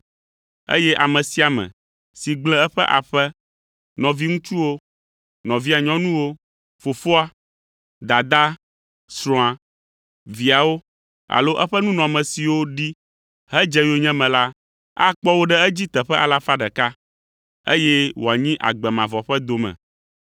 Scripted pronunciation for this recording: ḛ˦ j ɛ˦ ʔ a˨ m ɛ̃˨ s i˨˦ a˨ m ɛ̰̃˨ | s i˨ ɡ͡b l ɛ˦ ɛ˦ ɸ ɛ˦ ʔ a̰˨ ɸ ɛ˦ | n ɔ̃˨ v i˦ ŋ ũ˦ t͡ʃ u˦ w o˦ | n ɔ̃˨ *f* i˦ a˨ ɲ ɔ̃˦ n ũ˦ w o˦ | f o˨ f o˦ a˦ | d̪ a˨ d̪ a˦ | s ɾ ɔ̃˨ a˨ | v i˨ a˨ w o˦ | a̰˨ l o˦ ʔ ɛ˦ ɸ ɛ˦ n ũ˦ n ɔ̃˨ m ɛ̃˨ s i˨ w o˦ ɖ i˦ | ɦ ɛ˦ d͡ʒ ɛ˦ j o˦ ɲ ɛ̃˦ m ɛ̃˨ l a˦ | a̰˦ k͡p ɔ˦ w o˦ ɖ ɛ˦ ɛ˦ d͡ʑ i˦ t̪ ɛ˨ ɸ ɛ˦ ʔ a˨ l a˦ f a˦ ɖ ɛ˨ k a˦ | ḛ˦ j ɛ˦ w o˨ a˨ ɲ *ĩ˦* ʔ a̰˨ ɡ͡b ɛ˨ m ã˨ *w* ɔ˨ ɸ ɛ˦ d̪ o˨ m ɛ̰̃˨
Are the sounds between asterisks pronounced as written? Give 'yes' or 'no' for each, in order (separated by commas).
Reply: no, yes, no